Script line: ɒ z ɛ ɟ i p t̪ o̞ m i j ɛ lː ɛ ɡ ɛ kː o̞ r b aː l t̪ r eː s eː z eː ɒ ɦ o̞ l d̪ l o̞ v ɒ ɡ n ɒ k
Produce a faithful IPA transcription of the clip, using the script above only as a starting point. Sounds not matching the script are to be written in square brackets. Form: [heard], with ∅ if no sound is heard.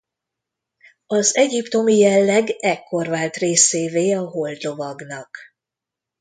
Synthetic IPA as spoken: ɒ z ɛ ɟ i p t̪ o̞ m i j ɛ lː ɛ ɡ ɛ kː o̞ r [v] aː l t̪ r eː s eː [v] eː ɒ ɦ o̞ l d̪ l o̞ v ɒ ɡ n ɒ k